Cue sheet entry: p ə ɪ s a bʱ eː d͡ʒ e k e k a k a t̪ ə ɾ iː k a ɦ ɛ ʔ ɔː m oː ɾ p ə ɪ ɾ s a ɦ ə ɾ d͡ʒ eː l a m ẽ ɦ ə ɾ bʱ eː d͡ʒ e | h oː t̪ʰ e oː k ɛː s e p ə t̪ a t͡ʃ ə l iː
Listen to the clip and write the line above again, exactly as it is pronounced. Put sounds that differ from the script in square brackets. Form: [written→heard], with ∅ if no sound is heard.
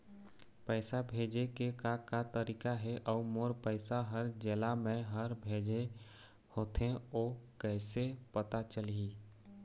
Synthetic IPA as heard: p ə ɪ s a bʱ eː d͡ʒ e k e k a k a t̪ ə ɾ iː k a ɦ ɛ ʔ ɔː m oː ɾ p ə ɪ [ɾ→∅] s a ɦ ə ɾ d͡ʒ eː l a m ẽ ɦ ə ɾ bʱ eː d͡ʒ e | h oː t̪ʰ e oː k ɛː s e p ə t̪ a t͡ʃ ə l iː